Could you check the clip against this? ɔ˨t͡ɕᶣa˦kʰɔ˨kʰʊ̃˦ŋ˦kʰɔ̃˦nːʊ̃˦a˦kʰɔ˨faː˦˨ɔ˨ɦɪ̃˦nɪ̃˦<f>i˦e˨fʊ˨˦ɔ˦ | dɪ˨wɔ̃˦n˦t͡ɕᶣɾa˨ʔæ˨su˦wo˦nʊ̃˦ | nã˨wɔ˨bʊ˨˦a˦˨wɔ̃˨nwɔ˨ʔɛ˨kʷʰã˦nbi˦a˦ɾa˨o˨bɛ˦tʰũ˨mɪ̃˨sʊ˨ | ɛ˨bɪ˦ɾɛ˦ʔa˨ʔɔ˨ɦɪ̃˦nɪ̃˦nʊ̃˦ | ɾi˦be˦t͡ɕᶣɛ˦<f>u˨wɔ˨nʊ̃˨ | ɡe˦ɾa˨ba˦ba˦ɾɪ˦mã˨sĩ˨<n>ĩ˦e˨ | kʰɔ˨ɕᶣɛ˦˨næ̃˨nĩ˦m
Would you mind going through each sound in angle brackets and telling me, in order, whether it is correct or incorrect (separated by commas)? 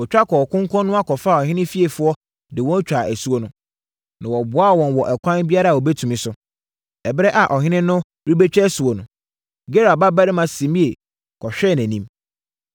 correct, incorrect, incorrect